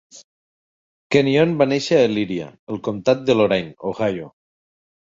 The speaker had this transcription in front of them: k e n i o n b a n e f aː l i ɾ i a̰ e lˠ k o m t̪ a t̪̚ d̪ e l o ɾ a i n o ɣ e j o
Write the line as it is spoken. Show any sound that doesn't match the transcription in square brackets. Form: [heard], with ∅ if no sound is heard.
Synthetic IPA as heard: k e n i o n b a n e [ʃ] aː l i ɾ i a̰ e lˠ k o m t̪ a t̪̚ d̪ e l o ɾ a [j] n o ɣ [a] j o